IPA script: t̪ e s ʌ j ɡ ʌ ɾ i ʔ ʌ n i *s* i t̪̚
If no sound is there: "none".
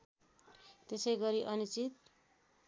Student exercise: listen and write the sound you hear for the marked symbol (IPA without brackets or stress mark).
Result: t͡s